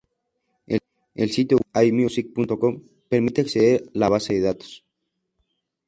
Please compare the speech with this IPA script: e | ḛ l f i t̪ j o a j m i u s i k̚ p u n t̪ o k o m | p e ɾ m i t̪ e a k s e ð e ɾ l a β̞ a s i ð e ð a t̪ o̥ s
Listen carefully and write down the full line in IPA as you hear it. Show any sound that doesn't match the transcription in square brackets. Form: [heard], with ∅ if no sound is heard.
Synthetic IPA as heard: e | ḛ l [s] i t̪ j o a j m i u s i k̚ p u n t̪ o k o m | p e ɾ m i t̪ e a k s e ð e ɾ l a β̞ a s [e] ð e ð a t̪ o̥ s